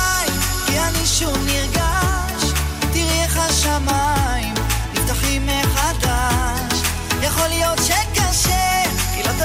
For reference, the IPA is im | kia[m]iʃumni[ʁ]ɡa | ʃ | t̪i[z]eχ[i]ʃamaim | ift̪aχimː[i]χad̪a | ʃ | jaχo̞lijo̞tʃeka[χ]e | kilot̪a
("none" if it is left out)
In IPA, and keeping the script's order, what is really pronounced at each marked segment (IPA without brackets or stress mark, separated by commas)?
n, ʁ, ʁ, a, e, ʃ